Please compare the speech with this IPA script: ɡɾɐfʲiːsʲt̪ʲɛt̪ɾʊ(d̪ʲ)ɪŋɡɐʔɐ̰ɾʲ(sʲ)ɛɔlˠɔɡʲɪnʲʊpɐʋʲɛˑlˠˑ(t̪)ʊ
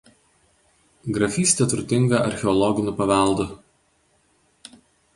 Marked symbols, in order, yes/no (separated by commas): no, no, no